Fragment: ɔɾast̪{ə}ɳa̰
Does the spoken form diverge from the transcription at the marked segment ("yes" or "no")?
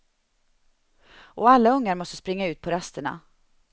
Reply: no